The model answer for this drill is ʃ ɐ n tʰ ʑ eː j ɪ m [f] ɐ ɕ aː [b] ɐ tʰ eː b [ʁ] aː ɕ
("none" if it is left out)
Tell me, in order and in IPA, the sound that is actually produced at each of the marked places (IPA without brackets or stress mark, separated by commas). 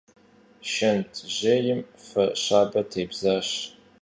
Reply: f, b, z